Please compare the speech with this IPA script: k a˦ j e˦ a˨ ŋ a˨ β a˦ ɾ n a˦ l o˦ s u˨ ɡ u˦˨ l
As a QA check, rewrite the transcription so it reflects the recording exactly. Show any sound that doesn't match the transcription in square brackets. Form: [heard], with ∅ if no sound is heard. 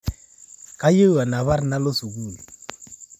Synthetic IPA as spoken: k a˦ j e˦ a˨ [n] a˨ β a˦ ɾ n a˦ l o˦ s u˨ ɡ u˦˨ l